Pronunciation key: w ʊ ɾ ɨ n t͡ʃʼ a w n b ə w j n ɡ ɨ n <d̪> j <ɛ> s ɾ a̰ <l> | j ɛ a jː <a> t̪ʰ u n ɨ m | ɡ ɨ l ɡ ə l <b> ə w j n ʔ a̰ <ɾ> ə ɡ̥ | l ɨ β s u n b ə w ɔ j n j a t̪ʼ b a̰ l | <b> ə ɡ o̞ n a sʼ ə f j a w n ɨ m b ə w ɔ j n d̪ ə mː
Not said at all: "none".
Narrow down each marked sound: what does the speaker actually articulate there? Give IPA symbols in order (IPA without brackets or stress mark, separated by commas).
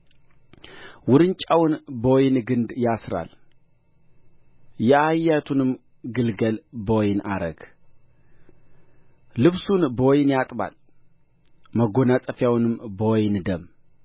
d̪, a, l, a, b, ɾ, m